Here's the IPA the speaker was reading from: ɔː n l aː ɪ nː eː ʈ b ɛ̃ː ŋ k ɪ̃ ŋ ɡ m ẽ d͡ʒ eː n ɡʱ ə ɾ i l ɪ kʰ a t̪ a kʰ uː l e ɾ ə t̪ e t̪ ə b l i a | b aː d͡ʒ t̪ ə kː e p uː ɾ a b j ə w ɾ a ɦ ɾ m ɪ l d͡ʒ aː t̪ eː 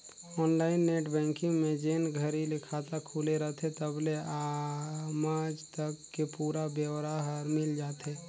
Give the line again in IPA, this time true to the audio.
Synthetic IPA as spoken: ɔː n l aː ɪ nː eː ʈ b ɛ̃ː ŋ k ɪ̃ ŋ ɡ m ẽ d͡ʒ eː n ɡʱ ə ɾ i l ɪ kʰ a t̪ a kʰ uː l e ɾ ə t̪ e t̪ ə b l e a | m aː d͡ʒ t̪ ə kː e p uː ɾ a b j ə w ɾ a ɦ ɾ m ɪ l d͡ʒ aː t̪ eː